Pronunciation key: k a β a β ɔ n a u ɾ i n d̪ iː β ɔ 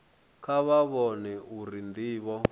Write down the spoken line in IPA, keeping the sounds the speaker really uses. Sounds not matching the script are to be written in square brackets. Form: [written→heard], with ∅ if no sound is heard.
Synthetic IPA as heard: k a β a β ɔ n [a→ɛ] u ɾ i n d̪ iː β ɔ